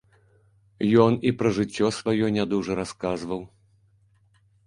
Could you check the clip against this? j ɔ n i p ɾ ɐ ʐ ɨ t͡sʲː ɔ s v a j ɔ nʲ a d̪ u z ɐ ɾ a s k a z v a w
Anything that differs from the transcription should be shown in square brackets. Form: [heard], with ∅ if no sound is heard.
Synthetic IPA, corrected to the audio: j ɔ n i p ɾ ɐ ʐ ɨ t͡sʲː ɔ s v a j ɔ nʲ a d̪ u [ʐ] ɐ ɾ a s k a z v [ɐ] w